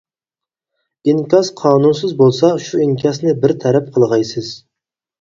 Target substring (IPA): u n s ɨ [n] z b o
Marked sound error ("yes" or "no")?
yes